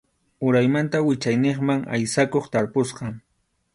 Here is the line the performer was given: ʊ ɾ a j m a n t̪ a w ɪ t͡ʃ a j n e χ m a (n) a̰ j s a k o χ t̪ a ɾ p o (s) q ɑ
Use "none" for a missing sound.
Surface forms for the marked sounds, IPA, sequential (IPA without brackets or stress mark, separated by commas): ŋ, s